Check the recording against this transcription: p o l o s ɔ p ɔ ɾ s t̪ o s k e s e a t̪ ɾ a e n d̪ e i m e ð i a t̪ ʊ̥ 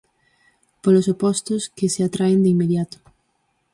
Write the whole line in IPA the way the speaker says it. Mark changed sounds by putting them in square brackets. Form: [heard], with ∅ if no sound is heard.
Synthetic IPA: p o l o s [o] p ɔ [∅] s t̪ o s k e s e a t̪ ɾ a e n d̪ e i m e ð [j] a t̪ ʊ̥